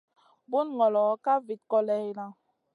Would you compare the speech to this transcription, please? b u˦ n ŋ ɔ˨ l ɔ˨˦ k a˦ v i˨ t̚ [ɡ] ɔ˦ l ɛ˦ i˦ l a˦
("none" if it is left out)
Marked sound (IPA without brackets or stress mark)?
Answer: k